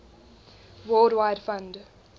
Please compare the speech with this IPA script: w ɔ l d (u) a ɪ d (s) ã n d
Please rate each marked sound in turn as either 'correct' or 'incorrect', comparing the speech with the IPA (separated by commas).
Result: incorrect, incorrect